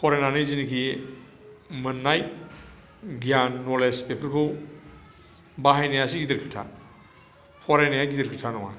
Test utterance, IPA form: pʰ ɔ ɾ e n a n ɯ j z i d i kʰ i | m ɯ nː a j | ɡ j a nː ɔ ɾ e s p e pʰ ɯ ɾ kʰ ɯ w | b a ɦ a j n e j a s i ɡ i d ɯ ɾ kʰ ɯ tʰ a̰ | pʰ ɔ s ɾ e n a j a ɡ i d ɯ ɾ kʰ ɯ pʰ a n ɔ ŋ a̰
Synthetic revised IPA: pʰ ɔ ɾ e n a n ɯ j z i n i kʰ i | m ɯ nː a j | ɡ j a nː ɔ l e s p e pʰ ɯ ɾ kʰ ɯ w | b a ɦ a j n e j a s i ɡ i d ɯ ɾ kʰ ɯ tʰ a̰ | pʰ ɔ ɾ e n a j a ɡ i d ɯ ɾ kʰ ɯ tʰ a n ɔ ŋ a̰